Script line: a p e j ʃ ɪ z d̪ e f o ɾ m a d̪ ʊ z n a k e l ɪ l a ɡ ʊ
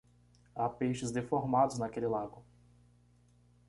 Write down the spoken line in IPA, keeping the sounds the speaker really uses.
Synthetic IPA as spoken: a p e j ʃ ɪ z d̪ e f o ɾ m a d̪ ʊ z n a k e l ɪ l a ɡ ʊ